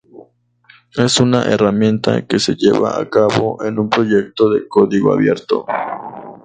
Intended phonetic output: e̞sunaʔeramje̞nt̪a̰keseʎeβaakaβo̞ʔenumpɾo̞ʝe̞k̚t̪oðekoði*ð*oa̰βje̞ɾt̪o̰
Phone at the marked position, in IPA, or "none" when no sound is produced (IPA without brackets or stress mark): ɣ